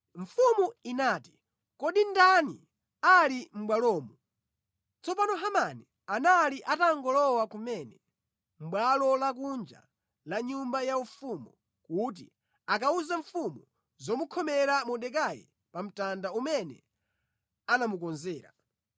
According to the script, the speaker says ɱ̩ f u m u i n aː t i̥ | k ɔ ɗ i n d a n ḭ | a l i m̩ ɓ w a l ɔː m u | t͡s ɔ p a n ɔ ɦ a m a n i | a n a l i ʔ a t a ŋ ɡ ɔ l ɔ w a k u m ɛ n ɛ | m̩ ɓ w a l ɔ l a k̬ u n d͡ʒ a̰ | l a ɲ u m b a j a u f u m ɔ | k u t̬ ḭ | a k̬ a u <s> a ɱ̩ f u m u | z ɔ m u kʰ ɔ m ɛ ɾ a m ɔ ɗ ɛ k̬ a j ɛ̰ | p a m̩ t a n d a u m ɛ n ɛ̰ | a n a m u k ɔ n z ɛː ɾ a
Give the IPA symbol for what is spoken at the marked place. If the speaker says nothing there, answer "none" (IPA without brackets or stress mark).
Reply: z